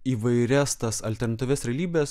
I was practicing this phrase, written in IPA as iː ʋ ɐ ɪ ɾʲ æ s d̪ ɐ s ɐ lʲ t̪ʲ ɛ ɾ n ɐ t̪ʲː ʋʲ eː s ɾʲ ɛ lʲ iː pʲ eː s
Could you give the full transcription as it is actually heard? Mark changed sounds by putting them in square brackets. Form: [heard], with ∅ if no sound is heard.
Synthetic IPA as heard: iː ʋ ɐ ɪ ɾʲ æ s [t̪] ɐ s ɐ lʲ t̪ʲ ɛ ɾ n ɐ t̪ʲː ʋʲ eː s ɾʲ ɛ lʲ iː [bʲ] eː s